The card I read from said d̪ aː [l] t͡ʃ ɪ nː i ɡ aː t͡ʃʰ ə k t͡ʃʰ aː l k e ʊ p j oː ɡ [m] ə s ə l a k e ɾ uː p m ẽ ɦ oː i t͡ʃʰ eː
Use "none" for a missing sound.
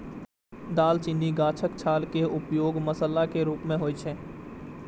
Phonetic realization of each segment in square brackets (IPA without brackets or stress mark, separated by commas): l, m